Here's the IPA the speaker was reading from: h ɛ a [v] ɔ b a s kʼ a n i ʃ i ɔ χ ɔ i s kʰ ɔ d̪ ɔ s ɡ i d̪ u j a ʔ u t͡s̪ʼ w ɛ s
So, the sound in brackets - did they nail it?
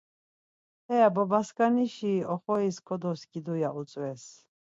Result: no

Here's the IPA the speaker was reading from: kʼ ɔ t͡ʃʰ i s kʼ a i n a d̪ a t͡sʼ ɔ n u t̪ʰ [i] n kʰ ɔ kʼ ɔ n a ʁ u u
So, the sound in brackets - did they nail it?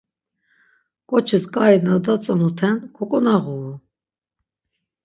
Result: no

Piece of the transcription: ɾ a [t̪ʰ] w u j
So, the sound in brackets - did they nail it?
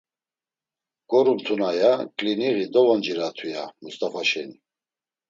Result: yes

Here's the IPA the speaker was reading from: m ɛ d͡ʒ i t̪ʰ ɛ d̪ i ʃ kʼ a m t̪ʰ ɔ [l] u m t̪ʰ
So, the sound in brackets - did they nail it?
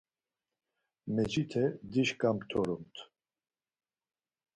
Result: no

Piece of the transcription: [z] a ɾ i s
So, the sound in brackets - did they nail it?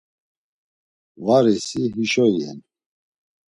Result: no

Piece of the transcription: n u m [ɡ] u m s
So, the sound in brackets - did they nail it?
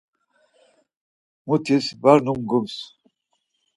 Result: yes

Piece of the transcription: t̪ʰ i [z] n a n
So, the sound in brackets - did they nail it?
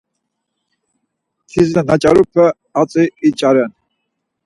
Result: yes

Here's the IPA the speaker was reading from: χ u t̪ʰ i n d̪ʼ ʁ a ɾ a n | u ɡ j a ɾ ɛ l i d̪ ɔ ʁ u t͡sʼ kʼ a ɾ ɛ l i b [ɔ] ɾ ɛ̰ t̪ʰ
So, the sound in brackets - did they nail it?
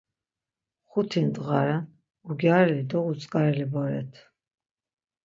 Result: yes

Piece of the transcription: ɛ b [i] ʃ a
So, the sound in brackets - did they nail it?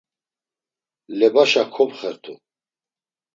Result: no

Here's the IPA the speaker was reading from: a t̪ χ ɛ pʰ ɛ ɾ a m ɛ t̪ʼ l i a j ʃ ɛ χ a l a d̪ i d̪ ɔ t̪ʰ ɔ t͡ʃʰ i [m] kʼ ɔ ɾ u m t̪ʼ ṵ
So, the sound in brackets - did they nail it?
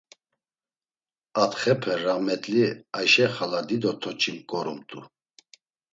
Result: yes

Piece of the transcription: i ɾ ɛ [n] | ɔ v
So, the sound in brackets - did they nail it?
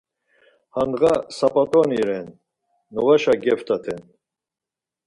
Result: no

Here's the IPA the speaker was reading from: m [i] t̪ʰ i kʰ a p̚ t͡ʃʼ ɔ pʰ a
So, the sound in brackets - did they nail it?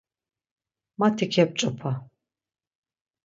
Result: no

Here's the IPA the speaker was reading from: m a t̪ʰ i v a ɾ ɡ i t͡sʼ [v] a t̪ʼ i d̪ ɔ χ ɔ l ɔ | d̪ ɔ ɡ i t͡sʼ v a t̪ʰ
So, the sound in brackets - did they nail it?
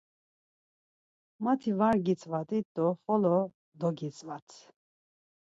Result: yes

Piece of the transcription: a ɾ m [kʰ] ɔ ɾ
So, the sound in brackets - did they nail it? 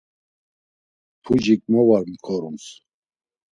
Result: yes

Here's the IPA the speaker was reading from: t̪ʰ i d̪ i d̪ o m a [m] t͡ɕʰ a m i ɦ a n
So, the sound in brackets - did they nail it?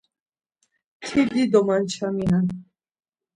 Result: no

